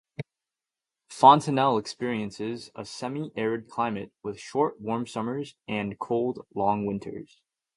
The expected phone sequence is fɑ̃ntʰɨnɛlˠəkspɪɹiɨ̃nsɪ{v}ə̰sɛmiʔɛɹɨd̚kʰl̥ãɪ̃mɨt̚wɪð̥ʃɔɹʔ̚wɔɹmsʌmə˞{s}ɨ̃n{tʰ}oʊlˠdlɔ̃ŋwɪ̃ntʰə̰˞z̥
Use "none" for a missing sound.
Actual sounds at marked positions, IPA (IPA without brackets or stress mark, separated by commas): z, z, kʰ